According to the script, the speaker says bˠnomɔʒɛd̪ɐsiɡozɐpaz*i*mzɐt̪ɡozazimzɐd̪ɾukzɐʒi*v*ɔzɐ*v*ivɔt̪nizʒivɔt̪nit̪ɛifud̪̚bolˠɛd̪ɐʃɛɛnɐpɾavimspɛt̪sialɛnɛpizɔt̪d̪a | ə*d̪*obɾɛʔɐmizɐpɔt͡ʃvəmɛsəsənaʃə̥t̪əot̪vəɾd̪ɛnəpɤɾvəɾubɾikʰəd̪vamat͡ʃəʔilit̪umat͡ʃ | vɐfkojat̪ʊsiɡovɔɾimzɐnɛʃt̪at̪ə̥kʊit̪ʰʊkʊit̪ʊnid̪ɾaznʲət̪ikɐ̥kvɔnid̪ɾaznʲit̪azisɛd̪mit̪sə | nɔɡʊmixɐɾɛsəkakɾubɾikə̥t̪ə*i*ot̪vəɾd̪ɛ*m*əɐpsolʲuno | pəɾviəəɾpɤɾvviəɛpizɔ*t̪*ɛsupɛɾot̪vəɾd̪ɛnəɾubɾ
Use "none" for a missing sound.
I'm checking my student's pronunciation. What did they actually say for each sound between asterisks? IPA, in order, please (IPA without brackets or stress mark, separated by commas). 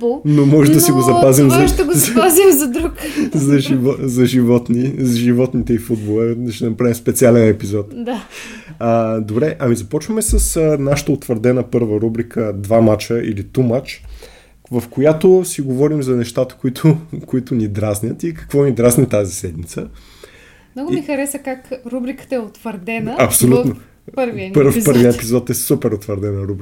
i, v, ʒ, d̪, ɛ, n, t̪